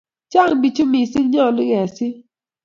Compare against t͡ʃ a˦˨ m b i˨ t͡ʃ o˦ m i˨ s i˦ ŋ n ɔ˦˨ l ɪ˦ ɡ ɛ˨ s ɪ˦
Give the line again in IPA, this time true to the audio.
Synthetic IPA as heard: t͡ʃ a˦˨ ŋ b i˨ t͡ʃ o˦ m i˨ s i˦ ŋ ɲ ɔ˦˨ l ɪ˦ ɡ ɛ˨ s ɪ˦